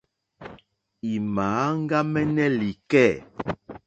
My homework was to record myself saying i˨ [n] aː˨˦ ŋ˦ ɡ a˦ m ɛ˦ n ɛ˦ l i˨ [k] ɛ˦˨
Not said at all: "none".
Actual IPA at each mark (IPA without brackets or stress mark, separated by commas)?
m, k